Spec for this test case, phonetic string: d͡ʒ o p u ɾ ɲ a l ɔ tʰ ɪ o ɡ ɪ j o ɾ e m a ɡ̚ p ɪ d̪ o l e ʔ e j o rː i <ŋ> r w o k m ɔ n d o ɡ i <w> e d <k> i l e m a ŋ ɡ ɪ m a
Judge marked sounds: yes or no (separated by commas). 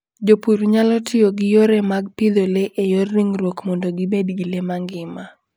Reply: yes, no, no